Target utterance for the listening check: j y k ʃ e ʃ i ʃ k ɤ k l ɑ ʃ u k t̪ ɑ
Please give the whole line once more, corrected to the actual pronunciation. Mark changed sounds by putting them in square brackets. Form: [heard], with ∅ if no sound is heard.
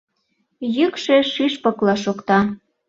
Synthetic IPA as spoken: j y k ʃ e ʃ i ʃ [p] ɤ k l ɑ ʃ [o] k t̪ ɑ